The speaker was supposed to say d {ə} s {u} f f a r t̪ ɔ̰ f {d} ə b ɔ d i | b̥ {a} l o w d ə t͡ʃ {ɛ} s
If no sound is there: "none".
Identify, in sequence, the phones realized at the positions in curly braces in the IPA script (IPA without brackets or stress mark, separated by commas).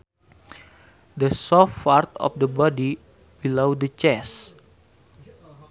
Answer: ə, ɔ, d, i, ɛ